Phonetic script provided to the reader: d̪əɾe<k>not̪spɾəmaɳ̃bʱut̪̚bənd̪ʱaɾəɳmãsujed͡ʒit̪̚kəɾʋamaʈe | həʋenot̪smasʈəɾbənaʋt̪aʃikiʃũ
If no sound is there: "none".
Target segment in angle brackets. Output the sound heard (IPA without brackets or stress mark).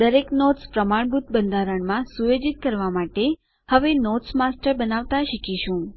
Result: k